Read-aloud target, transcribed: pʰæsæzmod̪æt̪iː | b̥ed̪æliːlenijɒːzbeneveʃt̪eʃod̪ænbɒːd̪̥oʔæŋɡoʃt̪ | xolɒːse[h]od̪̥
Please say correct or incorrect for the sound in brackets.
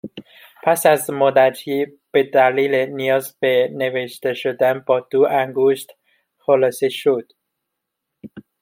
incorrect